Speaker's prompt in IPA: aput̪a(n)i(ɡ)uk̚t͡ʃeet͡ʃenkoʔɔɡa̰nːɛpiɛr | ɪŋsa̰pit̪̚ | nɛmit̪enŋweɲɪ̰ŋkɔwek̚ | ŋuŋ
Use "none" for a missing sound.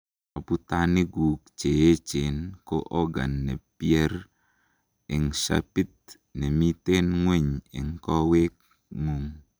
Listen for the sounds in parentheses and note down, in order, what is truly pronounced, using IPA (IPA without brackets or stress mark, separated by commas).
n, ɡ